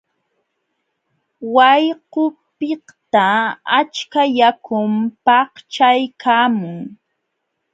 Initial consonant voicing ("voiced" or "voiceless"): voiced